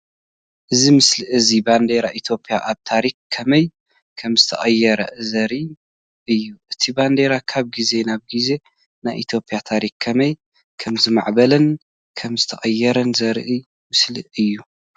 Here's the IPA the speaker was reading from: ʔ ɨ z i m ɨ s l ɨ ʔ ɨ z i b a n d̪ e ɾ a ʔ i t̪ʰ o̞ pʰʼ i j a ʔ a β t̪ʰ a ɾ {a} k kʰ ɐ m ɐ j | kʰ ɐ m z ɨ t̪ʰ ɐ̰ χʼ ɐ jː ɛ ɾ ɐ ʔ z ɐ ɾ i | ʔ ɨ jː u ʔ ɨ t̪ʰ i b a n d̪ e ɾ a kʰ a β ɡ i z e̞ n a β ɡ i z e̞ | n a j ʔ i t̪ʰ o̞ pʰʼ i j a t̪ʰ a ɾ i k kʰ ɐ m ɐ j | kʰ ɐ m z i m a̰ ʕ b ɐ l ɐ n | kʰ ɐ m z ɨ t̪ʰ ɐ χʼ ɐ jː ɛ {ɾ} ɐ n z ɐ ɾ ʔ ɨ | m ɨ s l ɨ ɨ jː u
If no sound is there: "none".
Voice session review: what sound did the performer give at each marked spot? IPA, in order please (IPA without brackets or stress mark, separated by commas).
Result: i, ɾ